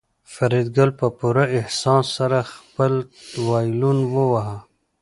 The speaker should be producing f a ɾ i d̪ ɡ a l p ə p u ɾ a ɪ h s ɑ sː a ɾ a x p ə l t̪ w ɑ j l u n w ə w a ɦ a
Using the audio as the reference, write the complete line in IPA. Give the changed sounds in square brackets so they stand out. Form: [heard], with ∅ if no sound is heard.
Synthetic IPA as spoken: f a ɾ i d̪ ɡ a l p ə p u ɾ a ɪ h s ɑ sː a ɾ a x p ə l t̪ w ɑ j l u n w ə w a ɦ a